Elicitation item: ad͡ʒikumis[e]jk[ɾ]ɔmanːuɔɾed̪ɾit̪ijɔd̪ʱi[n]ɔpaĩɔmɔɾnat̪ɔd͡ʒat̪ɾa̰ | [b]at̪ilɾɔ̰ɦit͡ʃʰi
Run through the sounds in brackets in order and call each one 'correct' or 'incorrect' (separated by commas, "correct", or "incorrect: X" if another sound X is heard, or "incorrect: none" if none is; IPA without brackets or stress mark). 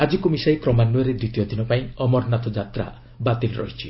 incorrect: a, correct, correct, correct